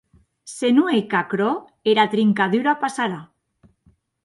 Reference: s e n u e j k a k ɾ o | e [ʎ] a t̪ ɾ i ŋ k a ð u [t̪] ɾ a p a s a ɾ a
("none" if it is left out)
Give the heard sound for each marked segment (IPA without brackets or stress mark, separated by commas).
ɾ, none